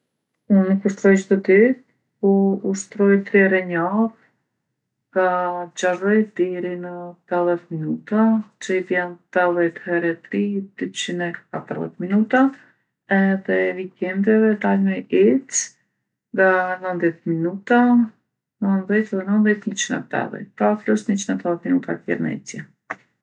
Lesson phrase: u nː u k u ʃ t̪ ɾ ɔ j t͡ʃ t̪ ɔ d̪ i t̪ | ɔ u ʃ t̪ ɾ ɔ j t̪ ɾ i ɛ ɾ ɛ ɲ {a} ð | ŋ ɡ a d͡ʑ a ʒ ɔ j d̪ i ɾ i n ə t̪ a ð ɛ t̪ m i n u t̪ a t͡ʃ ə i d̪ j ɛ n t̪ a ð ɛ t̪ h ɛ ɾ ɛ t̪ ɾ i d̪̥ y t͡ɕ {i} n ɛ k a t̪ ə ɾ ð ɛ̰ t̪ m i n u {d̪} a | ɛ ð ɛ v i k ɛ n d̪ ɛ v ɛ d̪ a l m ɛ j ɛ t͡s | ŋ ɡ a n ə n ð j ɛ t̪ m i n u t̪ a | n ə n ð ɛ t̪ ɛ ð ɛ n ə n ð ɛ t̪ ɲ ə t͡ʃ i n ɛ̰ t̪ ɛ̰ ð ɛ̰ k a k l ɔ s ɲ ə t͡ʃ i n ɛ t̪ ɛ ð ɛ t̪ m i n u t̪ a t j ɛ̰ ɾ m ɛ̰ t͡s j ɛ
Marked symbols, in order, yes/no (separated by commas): yes, yes, no